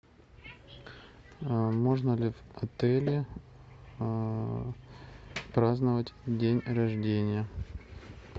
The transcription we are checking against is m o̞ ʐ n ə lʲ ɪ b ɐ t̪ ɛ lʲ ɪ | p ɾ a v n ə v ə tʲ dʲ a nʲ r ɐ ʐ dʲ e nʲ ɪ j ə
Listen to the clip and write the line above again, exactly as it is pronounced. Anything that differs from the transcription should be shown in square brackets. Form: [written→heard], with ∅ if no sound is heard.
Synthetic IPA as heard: m o̞ ʐ n ə lʲ ɪ [b→v] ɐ t̪ ɛ lʲ ɪ | p ɾ a [v→z] n ə v ə tʲ dʲ [a→e] nʲ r ɐ ʐ dʲ e nʲ ɪ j ə

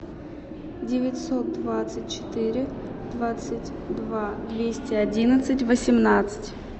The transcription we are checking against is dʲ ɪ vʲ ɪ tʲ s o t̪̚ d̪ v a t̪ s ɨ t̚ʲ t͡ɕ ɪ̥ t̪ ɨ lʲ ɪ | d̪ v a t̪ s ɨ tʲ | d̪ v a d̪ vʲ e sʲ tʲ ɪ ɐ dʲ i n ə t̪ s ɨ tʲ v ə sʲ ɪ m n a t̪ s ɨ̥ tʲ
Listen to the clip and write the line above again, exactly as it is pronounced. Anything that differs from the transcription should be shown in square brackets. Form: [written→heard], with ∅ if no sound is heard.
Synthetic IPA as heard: dʲ ɪ vʲ ɪ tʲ s o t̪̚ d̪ v a t̪ s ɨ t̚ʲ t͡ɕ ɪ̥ t̪ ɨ [lʲ→ɾʲ] ɪ | d̪ v a t̪ s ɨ tʲ | d̪ v a d̪ vʲ e sʲ tʲ ɪ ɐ dʲ i n ə t̪ s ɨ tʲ v ə sʲ ɪ m n a t̪ s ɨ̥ tʲ

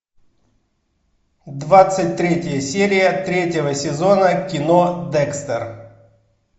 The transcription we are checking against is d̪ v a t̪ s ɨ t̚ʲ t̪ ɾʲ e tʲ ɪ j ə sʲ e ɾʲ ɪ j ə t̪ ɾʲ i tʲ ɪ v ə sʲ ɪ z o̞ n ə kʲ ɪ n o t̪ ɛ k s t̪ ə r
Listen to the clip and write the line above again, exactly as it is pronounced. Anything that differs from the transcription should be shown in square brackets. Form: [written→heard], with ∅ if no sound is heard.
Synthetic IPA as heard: d̪ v a t̪ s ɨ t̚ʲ t̪ ɾʲ e tʲ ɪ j ə sʲ e ɾʲ ɪ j ə t̪ ɾʲ [i→e] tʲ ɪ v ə sʲ ɪ z o̞ n ə kʲ ɪ n o [t̪→d̪] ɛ k s t̪ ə r

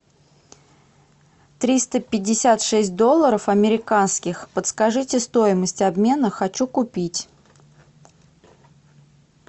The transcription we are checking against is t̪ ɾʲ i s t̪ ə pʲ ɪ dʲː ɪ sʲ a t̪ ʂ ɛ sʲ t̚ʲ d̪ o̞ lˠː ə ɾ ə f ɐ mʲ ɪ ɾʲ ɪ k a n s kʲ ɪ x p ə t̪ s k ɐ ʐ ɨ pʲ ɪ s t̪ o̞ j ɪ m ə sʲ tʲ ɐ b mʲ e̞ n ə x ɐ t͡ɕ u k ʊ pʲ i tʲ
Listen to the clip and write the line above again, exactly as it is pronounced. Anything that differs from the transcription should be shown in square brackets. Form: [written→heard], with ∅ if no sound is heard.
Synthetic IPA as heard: t̪ ɾʲ i s t̪ ə pʲ ɪ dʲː ɪ sʲ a t̪ ʂ ɛ sʲ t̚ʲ d̪ o̞ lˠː ə ɾ ə f ɐ mʲ ɪ ɾʲ ɪ k a n s kʲ ɪ x p ə t̪ s k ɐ ʐ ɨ [pʲ→tʲ] ɪ s t̪ o̞ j ɪ m ə sʲ tʲ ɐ b mʲ e̞ n ə x ɐ t͡ɕ u k ʊ pʲ i tʲ

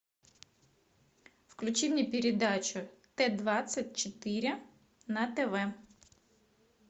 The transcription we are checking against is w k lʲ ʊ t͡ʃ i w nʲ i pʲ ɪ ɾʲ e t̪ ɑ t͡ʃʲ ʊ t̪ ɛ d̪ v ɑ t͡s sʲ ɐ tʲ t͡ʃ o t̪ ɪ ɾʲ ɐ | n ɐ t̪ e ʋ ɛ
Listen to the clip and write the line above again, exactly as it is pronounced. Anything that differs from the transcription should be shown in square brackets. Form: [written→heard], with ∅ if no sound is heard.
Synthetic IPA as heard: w k lʲ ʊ t͡ʃ i w nʲ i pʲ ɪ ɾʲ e [t̪→d̪] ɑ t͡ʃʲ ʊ t̪ ɛ d̪ [v→ʋ] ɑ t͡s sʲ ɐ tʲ t͡ʃ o t̪ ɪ ɾʲ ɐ | n ɐ t̪ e ʋ ɛ

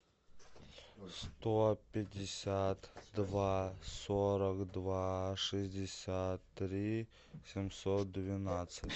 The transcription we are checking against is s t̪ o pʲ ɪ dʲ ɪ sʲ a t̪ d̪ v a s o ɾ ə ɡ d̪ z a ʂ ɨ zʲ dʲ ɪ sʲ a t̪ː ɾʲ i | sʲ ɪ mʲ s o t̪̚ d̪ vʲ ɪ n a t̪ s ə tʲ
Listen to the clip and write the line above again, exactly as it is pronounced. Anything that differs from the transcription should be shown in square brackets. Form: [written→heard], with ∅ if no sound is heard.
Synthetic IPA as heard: s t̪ o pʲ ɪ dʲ ɪ sʲ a t̪ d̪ v a s o ɾ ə [ɡ→k] d̪ [z→v] a ʂ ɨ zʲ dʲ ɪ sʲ a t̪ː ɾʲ i | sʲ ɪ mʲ s o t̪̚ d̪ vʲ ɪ n a t̪ s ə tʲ

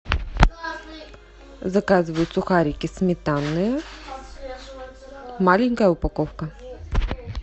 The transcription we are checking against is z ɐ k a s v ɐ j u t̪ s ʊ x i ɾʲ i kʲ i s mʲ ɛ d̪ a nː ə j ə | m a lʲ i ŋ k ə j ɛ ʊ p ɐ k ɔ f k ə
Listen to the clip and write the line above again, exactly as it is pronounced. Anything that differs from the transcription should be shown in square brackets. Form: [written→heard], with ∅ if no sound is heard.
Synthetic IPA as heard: z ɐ k a [s→z] v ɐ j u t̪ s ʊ x [i→a] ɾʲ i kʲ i s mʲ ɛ [d̪→t̪] a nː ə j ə | m a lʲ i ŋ k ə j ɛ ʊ p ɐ k ɔ f k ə

